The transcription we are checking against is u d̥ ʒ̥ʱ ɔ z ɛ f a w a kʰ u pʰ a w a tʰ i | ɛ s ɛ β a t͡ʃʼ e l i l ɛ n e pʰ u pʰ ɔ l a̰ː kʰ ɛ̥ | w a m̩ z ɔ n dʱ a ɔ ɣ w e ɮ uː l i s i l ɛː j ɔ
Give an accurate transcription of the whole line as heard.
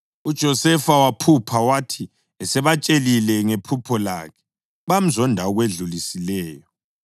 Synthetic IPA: u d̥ ʒ̥ʱ ɔ s ɛ f a w a pʰ u pʰ a w a tʰ i | ɛ s ɛ β a t͡ʃʼ e l i l ɛ ŋ e pʰ u pʰ ɔ l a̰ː kʰ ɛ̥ | β a m̩ z ɔ n dʱ a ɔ ɣ w e ɮ u l i s i l ɛː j ɔ